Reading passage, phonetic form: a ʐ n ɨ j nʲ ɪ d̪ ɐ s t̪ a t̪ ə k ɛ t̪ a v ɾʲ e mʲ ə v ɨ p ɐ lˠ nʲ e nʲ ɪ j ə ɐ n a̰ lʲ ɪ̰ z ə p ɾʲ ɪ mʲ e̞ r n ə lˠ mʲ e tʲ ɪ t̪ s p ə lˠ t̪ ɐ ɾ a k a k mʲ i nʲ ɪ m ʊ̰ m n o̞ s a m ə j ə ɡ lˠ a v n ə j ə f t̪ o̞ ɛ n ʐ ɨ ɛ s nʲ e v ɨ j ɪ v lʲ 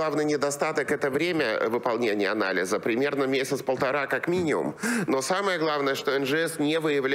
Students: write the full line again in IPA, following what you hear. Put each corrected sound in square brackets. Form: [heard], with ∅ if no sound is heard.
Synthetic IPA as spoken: a [v] n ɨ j nʲ ɪ d̪ ɐ s t̪ a t̪ ə k ɛ t̪ [ə] v ɾʲ e mʲ ə v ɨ p ɐ lˠ nʲ e nʲ ɪ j ə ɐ n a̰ lʲ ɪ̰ z ə p ɾʲ ɪ mʲ e̞ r n ə [∅] mʲ e [sʲ] ɪ t̪ s p ə lˠ t̪ ɐ ɾ a k a k mʲ i nʲ ɪ m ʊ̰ m n o̞ s a m ə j ə ɡ lˠ a v n ə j ə [ʂ] t̪ o̞ ɛ n ʐ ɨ ɛ s nʲ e v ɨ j ɪ v lʲ

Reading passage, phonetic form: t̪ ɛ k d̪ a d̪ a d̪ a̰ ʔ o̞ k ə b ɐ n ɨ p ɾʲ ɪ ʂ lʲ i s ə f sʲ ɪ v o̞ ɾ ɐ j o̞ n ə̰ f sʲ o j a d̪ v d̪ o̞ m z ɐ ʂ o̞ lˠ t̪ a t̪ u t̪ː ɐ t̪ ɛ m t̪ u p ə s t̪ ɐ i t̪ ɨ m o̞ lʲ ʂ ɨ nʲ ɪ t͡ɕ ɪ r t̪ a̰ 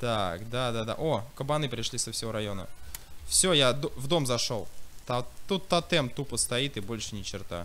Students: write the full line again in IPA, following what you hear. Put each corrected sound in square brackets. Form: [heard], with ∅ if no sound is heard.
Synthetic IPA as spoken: t̪ [a] k d̪ a d̪ a d̪ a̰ ʔ o̞ k ə b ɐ n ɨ p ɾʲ ɪ ʂ lʲ i s ə f sʲ ɪ v o̞ ɾ ɐ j o̞ n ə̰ f sʲ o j a d̪ v d̪ o̞ m z ɐ ʂ o̞ lˠ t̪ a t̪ u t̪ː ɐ t̪ ɛ m t̪ u p ə s t̪ ɐ i t̪ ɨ [b] o̞ lʲ ʂ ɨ nʲ ɪ t͡ɕ ɪ r t̪ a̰

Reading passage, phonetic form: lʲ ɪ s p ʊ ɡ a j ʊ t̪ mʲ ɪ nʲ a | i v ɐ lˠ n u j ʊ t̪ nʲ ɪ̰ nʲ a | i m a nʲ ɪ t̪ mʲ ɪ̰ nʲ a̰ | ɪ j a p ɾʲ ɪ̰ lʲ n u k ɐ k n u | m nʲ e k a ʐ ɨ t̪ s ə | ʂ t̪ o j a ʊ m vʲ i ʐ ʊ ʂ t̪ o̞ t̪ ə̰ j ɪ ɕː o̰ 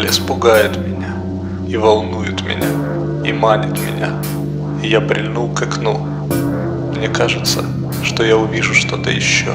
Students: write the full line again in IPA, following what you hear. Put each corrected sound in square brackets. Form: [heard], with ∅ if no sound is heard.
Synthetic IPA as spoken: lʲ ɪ s p ʊ ɡ a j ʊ t̪ mʲ ɪ nʲ a | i v ɐ lˠ n u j ʊ t̪ [mʲ] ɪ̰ nʲ a | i m a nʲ ɪ t̪ mʲ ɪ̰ nʲ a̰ | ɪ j a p ɾʲ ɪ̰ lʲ n u k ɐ k n u | m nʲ e k a ʐ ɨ t̪ s ə | ʂ t̪ o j a ʊ [∅] vʲ i ʐ ʊ ʂ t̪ o̞ t̪ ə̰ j ɪ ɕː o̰

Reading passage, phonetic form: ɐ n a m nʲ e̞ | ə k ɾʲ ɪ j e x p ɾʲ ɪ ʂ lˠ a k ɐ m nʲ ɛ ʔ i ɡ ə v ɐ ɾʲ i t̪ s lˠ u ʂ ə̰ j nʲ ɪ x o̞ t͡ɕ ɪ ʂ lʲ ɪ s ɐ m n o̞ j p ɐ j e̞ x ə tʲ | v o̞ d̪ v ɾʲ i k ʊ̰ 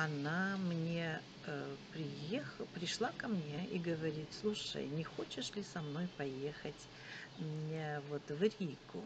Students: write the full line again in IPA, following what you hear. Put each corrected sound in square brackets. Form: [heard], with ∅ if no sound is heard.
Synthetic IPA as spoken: ɐ n a m nʲ e̞ | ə [p] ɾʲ ɪ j e x p ɾʲ ɪ ʂ lˠ a k ɐ m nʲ [e] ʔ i ɡ ə v ɐ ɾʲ i t̪ s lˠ u ʂ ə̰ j nʲ ɪ x o̞ t͡ɕ ɪ ʂ lʲ ɪ s ɐ m n o̞ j p ɐ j e̞ x ə tʲ | v o̞ [t̪] v ɾʲ i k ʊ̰

